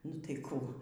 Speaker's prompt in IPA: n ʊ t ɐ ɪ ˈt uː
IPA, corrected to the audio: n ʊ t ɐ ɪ ˈk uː